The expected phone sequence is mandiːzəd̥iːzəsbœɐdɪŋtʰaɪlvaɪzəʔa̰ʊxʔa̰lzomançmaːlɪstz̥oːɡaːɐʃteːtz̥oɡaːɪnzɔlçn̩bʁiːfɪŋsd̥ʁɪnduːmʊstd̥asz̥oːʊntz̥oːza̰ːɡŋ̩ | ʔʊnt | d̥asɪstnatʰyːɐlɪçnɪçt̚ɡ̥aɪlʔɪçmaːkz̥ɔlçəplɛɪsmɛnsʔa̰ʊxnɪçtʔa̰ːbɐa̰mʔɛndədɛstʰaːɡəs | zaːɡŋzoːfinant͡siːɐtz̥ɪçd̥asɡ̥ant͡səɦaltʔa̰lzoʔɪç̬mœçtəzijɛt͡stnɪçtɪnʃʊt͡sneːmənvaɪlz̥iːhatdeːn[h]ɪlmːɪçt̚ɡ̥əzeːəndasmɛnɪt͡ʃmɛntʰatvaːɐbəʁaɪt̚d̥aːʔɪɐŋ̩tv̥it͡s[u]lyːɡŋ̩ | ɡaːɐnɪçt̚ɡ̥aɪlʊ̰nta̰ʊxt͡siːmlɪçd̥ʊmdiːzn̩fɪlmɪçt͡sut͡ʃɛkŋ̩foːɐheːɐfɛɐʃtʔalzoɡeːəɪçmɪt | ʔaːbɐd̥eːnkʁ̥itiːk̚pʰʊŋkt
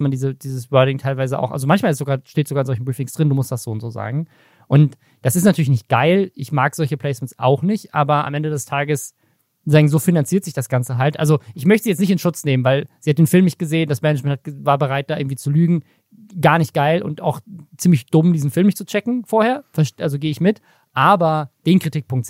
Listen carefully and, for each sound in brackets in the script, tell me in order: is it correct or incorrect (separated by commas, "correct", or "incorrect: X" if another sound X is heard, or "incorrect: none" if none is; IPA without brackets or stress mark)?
incorrect: f, correct